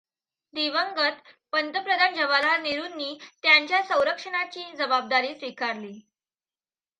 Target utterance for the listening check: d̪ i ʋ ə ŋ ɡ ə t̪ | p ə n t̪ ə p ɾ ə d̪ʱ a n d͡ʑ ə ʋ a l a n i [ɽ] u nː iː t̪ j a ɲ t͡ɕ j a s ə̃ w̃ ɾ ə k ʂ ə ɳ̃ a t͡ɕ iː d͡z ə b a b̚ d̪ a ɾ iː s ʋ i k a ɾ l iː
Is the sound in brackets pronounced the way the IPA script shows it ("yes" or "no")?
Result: no